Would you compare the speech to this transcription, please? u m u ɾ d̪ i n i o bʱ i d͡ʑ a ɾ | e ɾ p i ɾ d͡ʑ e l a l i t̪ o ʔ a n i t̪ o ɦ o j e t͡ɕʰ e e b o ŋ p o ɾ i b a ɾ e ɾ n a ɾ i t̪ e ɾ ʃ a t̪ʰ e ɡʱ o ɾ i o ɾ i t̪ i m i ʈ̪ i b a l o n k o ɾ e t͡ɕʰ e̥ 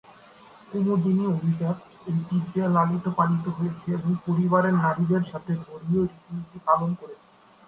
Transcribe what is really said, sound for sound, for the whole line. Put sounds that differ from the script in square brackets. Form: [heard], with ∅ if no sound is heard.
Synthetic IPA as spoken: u m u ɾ d̪ i n i o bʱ i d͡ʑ a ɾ | e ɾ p i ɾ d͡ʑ e l a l i t̪ o [p] a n i t̪ o ɦ o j e t͡ɕʰ e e b o ŋ p o ɾ i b a ɾ e ɾ n a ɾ i [d̪] e ɾ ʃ a t̪ʰ e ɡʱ o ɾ i o ɾ i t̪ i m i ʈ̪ i [p] a l o n k o ɾ e t͡ɕʰ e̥